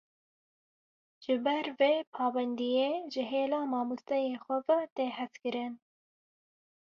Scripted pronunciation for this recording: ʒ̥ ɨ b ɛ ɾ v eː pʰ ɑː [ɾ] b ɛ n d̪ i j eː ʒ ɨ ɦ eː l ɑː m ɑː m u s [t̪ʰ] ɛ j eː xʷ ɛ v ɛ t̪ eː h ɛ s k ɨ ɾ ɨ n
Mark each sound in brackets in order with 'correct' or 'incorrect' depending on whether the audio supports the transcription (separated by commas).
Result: incorrect, incorrect